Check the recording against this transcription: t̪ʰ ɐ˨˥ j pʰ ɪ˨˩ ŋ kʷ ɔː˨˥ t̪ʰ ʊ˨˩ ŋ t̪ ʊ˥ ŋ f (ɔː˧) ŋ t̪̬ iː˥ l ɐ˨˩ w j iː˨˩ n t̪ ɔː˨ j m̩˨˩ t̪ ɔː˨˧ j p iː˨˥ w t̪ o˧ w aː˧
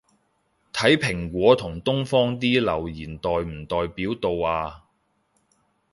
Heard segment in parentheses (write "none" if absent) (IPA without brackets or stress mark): ɔː˥